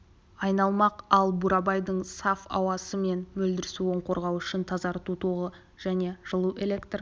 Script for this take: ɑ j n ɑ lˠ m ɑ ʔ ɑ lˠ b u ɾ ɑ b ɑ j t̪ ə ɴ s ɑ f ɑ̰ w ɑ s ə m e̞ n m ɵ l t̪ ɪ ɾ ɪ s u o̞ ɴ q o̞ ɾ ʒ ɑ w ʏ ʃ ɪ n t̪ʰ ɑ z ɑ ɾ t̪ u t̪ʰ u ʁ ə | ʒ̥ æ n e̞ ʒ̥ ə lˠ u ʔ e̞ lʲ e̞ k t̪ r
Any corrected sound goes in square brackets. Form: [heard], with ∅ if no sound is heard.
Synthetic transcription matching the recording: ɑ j n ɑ lˠ m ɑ [q] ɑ lˠ b u ɾ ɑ b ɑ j [d̪] ə ɴ s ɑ f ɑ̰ w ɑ s ə m e̞ n m ɵ l [d̪] ɪ ɾ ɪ s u o̞ ɴ q o̞ ɾ [ʁ] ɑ w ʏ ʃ ɪ n t̪ʰ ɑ z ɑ ɾ t̪ u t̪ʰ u ʁ ə | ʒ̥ æ n e̞ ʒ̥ ə lˠ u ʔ e̞ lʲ e̞ k t̪ r